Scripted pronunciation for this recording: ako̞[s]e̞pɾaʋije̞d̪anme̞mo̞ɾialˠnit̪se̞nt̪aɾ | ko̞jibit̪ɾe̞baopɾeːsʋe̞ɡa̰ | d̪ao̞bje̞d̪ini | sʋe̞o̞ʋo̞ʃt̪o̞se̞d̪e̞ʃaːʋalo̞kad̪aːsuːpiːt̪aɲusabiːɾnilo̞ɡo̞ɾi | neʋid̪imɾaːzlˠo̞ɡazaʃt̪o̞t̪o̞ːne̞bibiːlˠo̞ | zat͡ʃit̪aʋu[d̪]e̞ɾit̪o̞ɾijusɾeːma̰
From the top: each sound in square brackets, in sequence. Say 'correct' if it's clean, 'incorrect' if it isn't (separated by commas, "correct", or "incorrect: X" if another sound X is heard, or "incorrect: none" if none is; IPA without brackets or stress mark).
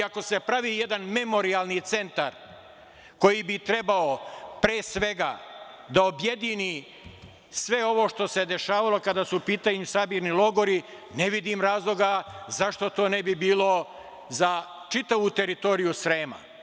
correct, incorrect: t̪